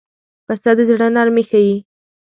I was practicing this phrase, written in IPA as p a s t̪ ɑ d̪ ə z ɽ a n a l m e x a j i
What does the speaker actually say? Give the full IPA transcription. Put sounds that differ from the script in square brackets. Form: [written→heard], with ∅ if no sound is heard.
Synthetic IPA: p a s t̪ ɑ d̪ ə z ɽ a n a [l→ɾ] m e x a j i